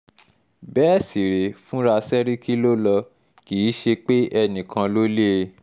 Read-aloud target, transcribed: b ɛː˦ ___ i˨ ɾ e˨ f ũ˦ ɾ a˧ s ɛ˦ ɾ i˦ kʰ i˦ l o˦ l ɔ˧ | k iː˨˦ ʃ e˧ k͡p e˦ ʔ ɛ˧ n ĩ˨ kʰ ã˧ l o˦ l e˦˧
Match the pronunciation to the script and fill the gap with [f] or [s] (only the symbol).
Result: s